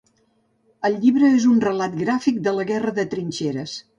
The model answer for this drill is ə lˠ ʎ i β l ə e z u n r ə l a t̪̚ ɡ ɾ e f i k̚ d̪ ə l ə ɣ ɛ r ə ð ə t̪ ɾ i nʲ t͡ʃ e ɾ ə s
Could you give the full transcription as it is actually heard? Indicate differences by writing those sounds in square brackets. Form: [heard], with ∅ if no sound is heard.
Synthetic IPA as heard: ə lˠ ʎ i β [ɾ] ə e z u n r ə l a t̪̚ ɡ ɾ [a] f i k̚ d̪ ə l ə ɣ ɛ r ə ð ə t̪ ɾ i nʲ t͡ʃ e ɾ ə s

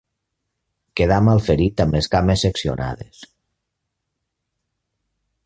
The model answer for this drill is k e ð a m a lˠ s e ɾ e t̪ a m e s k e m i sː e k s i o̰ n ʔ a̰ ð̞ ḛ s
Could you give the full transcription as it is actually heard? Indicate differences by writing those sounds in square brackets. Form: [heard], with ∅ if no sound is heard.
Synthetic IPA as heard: k e ð a m a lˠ [f] e ɾ [i] t̪ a m e s k [a] m [e] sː e k s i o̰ n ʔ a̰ ð̞ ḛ s

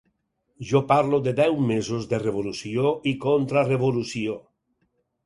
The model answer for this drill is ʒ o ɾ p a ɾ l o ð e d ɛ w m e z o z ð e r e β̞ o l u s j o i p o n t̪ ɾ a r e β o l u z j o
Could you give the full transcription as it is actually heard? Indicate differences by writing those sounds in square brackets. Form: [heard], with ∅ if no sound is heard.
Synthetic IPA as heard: ʒ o [∅] p a ɾ l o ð e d ɛ w m e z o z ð e r e β̞ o l u s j o i [k] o n t̪ ɾ a r e β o l u [s] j o

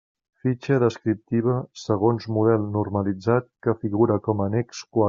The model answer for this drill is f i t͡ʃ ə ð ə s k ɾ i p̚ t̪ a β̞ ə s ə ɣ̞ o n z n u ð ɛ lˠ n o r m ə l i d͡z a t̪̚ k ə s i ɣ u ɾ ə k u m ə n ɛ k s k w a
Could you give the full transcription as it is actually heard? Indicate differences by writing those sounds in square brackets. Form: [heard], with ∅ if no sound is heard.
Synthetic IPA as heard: f i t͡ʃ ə ð ə s k ɾ i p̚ t̪ [i] β̞ ə s ə ɣ̞ o n z [m] u ð ɛ lˠ n [u] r m ə l i d͡z a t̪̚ k ə [f] i ɣ u ɾ ə k [ɔ] m ə n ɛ k s k w a

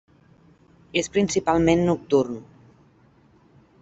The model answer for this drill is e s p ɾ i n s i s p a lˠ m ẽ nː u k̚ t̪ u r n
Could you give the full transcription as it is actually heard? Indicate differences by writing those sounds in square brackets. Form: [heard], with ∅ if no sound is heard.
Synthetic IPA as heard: e s p ɾ i n s i [∅] p a lˠ m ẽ nː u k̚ t̪ u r n

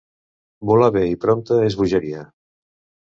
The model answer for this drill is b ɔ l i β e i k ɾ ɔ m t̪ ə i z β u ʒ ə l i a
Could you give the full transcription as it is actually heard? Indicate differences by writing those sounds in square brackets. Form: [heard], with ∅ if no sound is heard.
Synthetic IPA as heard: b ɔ l [a] β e i [p] ɾ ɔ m t̪ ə [e] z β u ʒ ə [ɾ] i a

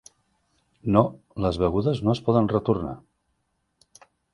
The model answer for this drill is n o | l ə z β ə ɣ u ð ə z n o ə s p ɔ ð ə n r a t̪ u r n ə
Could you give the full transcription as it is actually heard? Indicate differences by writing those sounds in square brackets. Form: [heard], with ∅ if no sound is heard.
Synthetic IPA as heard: n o | l ə z β ə ɣ u ð ə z n o ə s p ɔ ð ə n r [ə] t̪ u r n [a]

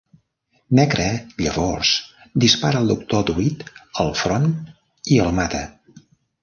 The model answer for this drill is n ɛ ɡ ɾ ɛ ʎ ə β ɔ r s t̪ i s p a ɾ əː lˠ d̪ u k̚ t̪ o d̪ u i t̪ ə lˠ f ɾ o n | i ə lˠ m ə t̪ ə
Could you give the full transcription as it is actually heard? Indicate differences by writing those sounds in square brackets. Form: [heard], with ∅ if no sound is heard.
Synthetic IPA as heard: n ɛ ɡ ɾ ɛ ʎ ə β ɔ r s [d̪] i s p a ɾ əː lˠ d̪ u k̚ t̪ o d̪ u i t̪ ə lˠ f ɾ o n | i ə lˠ m [a] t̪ ə

